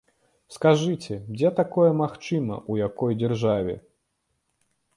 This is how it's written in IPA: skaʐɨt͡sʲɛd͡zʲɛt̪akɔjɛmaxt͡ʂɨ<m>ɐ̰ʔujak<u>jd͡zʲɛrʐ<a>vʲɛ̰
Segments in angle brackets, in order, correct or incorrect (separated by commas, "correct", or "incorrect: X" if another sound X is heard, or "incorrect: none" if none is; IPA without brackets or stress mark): correct, incorrect: ɔ, correct